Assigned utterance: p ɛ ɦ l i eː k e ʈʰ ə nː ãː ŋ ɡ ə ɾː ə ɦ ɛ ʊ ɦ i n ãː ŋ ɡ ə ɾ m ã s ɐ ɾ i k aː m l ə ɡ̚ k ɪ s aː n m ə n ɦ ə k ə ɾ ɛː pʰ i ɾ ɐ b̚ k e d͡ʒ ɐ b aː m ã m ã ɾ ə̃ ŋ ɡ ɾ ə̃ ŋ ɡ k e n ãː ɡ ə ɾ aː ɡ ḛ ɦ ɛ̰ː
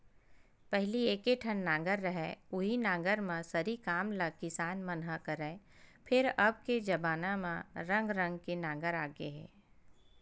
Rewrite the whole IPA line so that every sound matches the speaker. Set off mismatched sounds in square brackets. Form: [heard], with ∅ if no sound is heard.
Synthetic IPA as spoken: p ɛ ɦ l i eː k e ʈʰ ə nː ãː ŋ ɡ ə ɾː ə ɦ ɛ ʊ ɦ i n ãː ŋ ɡ ə ɾ m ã s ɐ ɾ i k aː m l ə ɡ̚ k ɪ s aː n m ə n ɦ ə k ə ɾ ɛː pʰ [ɪ] ɾ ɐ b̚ k e d͡ʒ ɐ b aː [n] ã m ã ɾ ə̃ ŋ ɡ ɾ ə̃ ŋ ɡ k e n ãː ɡ ə ɾ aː ɡ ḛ ɦ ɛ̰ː